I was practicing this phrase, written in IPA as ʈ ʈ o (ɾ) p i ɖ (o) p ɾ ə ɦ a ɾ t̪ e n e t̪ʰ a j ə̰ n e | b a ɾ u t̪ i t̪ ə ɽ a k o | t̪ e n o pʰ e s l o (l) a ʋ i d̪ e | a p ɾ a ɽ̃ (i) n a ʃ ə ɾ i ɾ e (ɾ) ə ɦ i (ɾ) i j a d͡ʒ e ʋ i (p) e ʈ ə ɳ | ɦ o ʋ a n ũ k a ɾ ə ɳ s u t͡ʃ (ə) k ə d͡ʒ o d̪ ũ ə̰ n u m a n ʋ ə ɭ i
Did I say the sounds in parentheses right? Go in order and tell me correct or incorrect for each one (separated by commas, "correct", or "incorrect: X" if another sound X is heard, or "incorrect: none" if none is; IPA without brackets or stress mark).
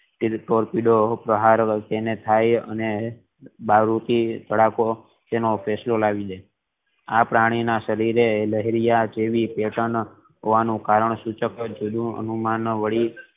correct, correct, correct, correct, incorrect: l, correct, correct, correct